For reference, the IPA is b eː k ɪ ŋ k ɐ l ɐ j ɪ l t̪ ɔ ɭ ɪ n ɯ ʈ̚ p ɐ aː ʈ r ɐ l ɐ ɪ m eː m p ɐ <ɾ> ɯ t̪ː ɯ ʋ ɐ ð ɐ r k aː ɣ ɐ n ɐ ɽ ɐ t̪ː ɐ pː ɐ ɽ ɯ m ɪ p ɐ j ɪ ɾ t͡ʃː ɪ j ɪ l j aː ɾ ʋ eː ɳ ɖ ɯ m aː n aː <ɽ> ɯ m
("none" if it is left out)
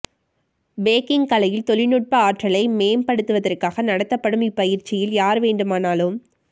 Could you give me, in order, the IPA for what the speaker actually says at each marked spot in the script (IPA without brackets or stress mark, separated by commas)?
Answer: ɽ, l